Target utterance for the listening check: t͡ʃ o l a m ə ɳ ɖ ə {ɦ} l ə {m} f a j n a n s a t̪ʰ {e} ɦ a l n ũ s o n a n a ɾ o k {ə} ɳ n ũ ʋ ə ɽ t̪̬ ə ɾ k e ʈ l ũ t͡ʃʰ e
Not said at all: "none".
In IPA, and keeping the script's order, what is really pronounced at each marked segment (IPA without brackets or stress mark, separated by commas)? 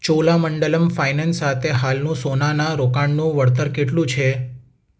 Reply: none, m, e, a